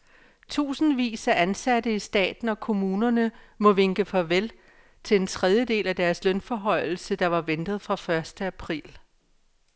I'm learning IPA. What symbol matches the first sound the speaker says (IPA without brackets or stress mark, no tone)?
t͡sʰ